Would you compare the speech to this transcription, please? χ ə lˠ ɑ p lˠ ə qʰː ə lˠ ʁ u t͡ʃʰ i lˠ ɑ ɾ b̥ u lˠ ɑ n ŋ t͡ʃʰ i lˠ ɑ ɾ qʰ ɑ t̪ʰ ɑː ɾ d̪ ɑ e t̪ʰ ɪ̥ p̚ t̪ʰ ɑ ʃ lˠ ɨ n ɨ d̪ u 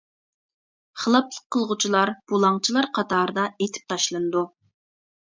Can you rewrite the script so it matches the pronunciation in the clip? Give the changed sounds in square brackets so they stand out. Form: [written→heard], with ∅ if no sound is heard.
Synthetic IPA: χ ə lˠ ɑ p lˠ ə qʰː ə lˠ ʁ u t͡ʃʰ i lˠ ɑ ɾ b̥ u lˠ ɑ [n→∅] ŋ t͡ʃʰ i lˠ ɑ ɾ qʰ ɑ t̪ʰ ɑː ɾ d̪ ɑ e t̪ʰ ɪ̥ p̚ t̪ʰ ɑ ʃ lˠ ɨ n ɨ d̪ u